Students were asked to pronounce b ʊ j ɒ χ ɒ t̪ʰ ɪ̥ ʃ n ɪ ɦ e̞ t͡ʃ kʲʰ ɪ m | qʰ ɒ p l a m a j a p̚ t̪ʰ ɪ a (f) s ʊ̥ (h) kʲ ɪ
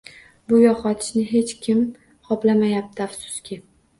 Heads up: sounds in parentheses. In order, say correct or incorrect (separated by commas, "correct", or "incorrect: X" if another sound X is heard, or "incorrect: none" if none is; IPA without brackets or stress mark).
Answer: correct, incorrect: s